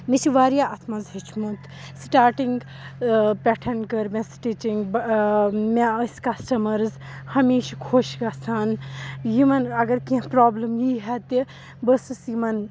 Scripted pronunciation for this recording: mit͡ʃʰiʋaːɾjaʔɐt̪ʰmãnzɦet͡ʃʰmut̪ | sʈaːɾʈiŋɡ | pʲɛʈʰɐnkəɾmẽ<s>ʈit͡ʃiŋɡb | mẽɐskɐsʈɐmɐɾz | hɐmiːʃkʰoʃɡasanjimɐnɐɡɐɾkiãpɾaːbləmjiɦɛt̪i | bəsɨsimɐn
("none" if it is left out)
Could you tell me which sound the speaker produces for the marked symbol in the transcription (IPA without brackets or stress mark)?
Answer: s